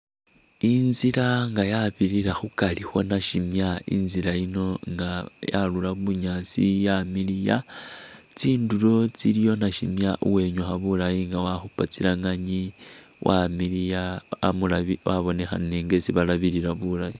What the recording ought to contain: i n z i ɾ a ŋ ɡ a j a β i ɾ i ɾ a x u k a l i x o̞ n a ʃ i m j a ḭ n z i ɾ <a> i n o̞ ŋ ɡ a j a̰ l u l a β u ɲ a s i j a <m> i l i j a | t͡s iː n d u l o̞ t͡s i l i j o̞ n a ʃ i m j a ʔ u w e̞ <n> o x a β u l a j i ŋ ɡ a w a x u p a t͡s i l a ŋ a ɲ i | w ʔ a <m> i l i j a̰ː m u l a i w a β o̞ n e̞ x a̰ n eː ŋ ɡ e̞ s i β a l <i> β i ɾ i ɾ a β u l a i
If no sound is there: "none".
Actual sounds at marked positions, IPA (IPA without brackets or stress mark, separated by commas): a, m, ɲ, m, a